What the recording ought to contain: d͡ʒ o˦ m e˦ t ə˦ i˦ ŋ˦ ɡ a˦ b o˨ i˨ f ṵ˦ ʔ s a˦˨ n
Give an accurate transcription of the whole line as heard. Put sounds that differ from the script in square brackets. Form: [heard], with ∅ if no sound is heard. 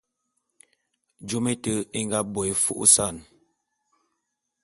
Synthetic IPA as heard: d͡ʒ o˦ m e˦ t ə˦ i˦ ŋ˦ ɡ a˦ b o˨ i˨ f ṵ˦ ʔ s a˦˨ n